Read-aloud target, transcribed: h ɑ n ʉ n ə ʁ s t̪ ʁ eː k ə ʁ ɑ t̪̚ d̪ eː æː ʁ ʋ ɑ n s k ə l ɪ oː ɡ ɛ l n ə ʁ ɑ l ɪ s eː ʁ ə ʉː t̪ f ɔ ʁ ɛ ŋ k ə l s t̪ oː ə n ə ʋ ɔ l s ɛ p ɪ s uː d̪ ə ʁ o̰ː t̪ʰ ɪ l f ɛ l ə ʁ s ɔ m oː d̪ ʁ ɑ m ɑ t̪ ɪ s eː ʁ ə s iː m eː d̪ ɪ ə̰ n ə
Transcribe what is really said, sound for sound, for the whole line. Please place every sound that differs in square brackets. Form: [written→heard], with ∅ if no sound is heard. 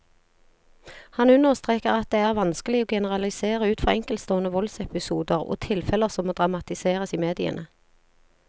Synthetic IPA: h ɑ n ʉ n ə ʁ s t̪ ʁ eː k ə ʁ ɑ t̪̚ d̪ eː æː ʁ ʋ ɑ n s k ə l ɪ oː ɡ ɛ [l→∅] n ə ʁ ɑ l ɪ s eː ʁ ə ʉː t̪ f ɔ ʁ ɛ ŋ k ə l s t̪ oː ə n ə ʋ ɔ l s ɛ p ɪ s uː d̪ ə ʁ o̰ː t̪ʰ ɪ l f ɛ l ə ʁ s ɔ m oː d̪ ʁ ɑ m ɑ t̪ ɪ s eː ʁ ə s iː m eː d̪ ɪ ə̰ n ə